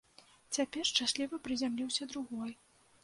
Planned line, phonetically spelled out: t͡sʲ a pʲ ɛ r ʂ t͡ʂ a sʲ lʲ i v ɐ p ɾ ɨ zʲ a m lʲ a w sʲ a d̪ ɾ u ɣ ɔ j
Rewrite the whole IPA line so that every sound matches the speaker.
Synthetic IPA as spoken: t͡sʲ a pʲ ɛ r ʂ t͡ʂ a sʲ lʲ i v ɐ p ɾ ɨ zʲ a m lʲ i w sʲ ɐ d̪ ɾ u ɣ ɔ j